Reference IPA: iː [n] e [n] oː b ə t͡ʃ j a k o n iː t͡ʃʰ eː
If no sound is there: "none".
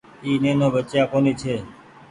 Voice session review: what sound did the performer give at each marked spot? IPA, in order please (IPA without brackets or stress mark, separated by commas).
n, n